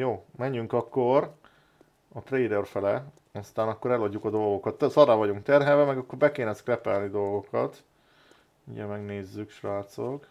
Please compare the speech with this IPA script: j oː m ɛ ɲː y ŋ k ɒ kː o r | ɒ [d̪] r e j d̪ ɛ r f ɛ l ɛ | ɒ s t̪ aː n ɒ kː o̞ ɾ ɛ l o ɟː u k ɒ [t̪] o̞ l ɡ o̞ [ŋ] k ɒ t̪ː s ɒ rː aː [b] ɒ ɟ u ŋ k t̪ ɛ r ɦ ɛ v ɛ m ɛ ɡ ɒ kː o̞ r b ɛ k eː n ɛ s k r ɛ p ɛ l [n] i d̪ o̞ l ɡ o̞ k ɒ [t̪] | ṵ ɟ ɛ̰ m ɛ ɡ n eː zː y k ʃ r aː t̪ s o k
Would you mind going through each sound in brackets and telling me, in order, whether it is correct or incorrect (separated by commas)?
incorrect, incorrect, incorrect, incorrect, correct, correct